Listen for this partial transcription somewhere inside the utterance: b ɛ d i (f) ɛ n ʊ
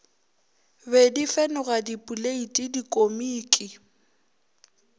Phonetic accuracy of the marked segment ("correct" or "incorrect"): correct